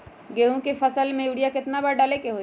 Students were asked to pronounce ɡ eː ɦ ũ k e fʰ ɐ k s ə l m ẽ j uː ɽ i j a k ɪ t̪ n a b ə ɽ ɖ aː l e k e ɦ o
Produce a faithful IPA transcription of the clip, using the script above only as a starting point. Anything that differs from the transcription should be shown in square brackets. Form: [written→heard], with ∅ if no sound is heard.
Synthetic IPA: ɡ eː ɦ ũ k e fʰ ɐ [k→∅] s ə l m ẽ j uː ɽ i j a k ɪ t̪ n a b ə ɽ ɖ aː l e k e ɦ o